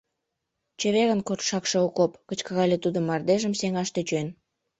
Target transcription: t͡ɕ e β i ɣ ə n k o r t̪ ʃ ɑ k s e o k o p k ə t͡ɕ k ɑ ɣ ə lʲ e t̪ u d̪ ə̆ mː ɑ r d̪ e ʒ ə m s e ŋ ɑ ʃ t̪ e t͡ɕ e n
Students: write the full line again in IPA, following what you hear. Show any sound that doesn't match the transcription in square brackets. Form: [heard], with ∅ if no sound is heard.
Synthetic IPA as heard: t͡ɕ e β [e] ɣ ə n k o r t̪ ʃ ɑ k [ʃ] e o k o p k ə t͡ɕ k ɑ ɣ [ɑ] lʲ e t̪ u d̪ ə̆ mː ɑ r d̪ e ʒ ə m s e ŋ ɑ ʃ t̪ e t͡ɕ e n